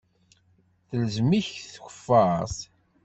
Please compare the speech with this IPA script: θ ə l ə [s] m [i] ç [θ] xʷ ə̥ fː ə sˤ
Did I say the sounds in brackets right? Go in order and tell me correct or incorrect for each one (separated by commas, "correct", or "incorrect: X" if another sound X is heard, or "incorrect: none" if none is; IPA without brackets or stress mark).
incorrect: z, correct, correct